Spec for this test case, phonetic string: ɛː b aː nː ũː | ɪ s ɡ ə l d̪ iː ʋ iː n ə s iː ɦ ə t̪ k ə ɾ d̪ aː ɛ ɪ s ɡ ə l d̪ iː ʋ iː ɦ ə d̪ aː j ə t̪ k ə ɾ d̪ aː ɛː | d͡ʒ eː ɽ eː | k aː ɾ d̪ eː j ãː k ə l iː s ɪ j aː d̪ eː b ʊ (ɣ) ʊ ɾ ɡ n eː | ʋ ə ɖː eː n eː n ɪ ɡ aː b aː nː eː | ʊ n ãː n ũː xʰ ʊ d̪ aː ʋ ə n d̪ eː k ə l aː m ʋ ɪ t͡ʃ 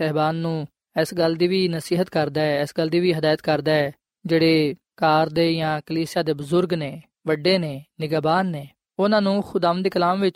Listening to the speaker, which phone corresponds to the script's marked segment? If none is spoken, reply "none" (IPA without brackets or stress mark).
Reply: z